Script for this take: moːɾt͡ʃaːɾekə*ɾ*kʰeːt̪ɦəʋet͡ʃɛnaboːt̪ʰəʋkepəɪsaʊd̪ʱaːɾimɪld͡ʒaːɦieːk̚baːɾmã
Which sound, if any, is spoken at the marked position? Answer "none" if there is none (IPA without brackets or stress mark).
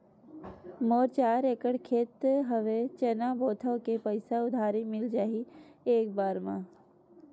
ɽ